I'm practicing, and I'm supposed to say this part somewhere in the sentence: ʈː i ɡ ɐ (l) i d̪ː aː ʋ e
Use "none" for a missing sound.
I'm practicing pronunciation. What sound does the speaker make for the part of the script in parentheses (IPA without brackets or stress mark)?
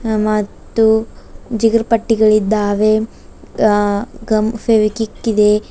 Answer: ɭ